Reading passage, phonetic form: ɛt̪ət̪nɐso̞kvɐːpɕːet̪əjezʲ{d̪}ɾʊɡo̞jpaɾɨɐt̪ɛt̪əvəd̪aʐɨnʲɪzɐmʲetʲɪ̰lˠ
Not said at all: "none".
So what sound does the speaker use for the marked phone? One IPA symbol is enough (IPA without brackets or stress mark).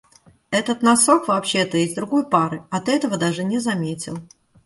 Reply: d̪